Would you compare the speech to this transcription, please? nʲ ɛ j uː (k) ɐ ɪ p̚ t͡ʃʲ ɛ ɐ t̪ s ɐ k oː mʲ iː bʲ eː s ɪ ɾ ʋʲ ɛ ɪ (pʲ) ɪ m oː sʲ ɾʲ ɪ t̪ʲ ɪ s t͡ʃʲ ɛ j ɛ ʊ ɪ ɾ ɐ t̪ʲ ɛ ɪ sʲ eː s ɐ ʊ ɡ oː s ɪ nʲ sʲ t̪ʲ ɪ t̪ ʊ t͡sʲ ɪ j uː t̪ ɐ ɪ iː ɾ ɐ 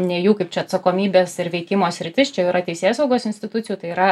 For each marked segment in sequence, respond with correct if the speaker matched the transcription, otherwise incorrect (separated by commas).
correct, incorrect